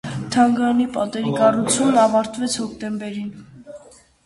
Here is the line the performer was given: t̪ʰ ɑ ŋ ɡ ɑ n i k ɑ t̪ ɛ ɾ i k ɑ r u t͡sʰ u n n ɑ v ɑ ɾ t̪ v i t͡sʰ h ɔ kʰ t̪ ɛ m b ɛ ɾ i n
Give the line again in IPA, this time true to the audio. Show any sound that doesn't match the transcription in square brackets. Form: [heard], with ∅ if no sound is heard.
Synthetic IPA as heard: t̪ʰ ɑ ŋ ɡ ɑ n i [p] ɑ t̪ ɛ ɾ i k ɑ r u t͡sʰ u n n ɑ v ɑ ɾ t̪ v [ɛ] t͡sʰ h ɔ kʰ t̪ ɛ m b ɛ ɾ i n